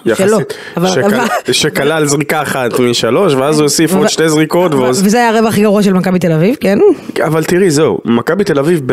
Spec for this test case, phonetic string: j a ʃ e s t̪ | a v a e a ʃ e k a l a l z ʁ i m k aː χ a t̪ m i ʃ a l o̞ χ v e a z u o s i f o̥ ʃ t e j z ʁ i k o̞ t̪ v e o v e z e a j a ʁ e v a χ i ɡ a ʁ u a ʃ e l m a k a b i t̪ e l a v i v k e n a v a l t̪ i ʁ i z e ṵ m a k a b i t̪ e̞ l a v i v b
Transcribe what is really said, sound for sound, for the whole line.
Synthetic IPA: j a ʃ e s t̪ | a v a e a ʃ e k a l a l z ʁ i k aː χ a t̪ m i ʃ a l o̞ ʃ v e a z u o s i f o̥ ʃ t e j z ʁ i k o̞ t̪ v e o v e z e a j a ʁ e v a χ i ɡ a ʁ u a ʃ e l m a k a b i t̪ e l a v i v k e n a v a l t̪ i ʁ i z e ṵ m a k a b i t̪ e̞ l a v i v b